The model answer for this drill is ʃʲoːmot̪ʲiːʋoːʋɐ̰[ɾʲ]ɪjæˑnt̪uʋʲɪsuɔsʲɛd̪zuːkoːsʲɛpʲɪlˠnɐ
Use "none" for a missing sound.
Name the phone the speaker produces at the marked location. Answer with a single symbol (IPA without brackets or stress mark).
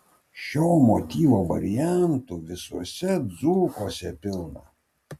ɾʲ